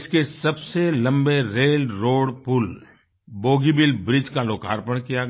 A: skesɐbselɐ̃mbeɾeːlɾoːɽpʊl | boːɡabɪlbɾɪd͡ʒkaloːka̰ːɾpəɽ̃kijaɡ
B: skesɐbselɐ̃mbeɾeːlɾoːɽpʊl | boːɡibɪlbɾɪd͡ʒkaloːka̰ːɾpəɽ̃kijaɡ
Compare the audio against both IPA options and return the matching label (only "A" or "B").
B